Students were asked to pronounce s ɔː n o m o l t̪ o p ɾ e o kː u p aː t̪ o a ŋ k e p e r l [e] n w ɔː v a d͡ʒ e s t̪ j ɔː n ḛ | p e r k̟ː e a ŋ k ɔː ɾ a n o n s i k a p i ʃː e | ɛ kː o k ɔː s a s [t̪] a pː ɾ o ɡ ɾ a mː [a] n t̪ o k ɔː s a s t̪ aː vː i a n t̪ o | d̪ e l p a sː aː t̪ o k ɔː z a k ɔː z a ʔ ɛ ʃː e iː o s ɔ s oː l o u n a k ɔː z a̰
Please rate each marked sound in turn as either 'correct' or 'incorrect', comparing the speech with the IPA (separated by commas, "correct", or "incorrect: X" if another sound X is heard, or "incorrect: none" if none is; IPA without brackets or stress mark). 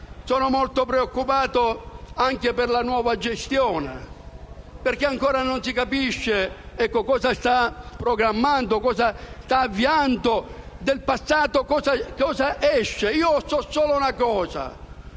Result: incorrect: a, correct, correct